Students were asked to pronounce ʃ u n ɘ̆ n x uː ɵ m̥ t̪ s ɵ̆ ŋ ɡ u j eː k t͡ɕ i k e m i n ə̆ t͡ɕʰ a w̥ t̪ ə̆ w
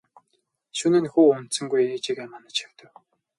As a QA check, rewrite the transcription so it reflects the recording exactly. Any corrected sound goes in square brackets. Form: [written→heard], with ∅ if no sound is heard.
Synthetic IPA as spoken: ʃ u n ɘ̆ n x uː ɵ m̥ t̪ s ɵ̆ ŋ ɡ u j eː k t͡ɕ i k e m [i→a] n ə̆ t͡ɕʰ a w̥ t̪ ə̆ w